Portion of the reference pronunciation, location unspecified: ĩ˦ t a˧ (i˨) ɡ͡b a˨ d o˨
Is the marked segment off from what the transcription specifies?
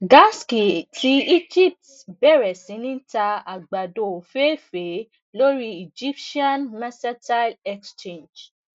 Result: yes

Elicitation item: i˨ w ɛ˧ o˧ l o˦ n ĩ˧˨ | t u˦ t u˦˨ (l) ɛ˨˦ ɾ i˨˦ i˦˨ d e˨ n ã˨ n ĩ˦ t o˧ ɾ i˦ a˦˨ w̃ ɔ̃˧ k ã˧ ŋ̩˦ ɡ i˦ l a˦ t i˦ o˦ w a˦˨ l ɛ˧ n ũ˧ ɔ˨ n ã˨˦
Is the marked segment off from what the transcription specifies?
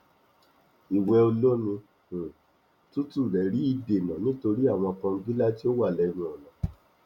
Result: yes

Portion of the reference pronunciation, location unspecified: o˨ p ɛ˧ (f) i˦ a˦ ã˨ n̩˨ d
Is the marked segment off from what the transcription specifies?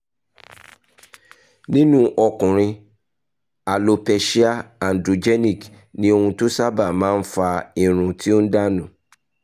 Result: yes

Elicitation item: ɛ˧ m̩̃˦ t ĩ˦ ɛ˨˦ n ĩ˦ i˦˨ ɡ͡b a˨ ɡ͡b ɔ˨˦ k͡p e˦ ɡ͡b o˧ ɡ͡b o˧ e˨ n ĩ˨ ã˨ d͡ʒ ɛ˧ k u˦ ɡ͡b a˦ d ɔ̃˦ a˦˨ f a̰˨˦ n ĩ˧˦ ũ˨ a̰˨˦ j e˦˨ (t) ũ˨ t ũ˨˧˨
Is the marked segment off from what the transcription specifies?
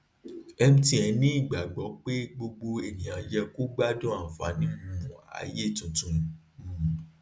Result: no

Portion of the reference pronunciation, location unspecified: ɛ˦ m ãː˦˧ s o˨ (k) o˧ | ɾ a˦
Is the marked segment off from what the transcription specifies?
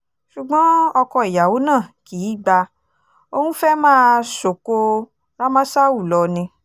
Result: no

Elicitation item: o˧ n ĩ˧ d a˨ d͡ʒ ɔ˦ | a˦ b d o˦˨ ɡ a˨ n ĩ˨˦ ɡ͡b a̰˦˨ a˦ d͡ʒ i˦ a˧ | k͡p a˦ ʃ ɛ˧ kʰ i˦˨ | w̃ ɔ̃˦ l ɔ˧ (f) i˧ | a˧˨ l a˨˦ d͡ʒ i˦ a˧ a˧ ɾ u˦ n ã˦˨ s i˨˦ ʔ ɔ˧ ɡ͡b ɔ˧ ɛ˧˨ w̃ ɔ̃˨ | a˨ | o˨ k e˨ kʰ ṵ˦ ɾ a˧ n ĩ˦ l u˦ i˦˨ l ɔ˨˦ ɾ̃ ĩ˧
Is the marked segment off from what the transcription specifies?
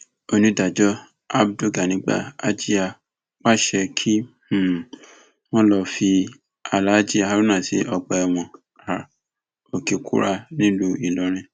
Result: no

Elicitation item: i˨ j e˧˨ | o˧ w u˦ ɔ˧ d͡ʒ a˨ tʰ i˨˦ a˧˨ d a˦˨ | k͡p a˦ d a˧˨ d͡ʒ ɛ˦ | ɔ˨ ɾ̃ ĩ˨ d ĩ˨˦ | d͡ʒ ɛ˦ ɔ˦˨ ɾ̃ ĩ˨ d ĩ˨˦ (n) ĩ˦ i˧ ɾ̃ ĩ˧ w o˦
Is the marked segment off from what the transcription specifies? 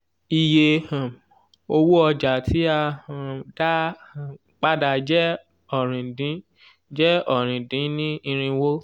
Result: no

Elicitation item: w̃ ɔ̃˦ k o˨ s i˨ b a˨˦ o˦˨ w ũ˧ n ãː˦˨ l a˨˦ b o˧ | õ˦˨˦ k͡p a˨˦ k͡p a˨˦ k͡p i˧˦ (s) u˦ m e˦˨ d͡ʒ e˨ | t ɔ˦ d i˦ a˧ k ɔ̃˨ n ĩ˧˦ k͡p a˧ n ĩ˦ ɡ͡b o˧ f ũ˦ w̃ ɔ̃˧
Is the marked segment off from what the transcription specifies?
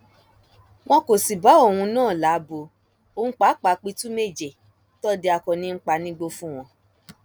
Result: yes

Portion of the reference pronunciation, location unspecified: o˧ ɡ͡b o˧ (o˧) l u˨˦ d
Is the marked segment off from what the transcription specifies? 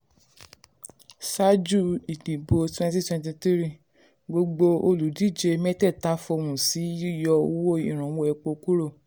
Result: no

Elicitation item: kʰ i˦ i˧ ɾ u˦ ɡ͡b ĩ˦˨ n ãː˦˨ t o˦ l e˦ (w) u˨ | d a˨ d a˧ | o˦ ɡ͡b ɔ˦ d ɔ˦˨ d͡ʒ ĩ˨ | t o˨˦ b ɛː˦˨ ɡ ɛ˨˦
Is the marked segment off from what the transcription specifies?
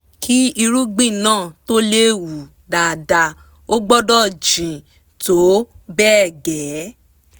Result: no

